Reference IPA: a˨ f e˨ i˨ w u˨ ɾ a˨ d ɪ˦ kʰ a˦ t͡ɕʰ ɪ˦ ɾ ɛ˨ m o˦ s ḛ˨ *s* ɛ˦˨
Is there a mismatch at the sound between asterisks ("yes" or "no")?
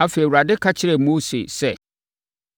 no